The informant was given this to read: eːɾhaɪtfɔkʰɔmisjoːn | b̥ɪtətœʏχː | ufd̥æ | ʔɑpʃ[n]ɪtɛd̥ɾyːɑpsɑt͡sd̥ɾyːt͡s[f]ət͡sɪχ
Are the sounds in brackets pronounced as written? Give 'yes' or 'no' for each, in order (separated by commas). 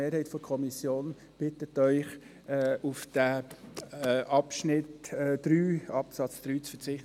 yes, yes